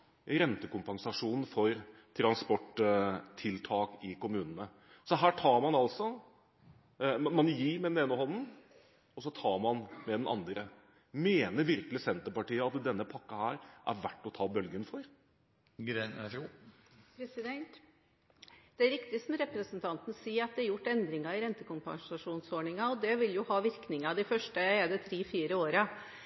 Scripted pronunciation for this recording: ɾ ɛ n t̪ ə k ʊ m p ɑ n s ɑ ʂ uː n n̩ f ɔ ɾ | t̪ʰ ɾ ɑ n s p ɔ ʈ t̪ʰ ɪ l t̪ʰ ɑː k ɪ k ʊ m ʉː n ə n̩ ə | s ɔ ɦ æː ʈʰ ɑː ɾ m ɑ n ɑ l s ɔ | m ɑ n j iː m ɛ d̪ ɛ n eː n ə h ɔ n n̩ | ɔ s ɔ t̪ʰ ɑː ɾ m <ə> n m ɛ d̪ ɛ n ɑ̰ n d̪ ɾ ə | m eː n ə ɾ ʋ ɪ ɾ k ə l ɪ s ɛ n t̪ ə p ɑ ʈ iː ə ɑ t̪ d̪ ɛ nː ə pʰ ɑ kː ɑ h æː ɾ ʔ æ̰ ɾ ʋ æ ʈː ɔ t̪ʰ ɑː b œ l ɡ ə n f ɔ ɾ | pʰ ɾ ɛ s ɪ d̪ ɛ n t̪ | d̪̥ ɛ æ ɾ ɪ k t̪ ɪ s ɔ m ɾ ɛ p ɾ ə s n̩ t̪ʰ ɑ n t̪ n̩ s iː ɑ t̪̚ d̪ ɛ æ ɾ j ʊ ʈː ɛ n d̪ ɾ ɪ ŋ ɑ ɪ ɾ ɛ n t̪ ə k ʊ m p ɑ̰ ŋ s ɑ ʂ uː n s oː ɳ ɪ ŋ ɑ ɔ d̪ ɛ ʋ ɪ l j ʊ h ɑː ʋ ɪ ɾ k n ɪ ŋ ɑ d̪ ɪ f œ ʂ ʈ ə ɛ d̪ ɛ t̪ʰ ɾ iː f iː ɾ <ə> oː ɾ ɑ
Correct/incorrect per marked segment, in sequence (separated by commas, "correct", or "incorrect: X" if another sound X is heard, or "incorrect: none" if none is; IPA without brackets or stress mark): incorrect: ɑ, correct